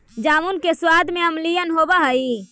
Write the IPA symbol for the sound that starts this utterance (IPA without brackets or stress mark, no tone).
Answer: d͡ʒ